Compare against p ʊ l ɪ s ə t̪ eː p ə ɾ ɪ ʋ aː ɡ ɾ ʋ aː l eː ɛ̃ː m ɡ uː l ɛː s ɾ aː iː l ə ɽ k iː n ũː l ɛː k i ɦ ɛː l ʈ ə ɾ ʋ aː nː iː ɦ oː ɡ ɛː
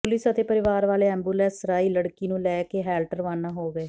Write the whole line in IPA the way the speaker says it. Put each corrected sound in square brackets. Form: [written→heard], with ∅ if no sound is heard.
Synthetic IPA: p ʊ l ɪ s ə t̪ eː p ə ɾ ɪ ʋ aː [ɡ→∅] ɾ ʋ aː l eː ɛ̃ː m [ɡ→b] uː l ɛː s ɾ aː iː l ə ɽ k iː n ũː l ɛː k [i→e] ɦ ɛː l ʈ ə ɾ ʋ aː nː [iː→aː] ɦ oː ɡ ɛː